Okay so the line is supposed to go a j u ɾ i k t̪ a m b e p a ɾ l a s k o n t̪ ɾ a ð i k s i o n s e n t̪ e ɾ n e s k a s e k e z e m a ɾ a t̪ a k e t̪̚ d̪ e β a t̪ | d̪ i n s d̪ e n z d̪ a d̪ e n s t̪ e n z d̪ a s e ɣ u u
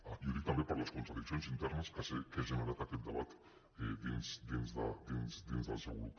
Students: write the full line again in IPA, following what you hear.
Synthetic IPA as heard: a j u ɾ i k t̪ a m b e p a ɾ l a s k o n t̪ ɾ a ð i k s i o n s i n t̪ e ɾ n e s k a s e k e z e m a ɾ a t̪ a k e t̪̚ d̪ a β a t̪ | d̪ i n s d̪ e n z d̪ a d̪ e n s d̪ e n z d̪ a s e ɣ u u